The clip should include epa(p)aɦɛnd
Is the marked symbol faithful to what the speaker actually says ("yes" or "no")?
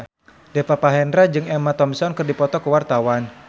yes